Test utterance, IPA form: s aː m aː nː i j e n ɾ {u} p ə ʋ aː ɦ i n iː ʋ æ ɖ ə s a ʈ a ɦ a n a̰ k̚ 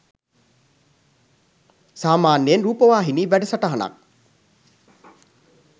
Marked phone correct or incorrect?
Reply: incorrect